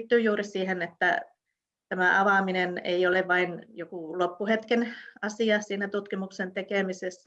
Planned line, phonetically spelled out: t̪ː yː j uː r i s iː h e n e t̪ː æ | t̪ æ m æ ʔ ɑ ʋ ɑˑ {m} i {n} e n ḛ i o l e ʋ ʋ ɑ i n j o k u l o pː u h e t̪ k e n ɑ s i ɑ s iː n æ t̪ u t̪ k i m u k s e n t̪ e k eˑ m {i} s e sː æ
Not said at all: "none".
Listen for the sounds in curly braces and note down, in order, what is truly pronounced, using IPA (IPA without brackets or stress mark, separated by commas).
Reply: m, n, i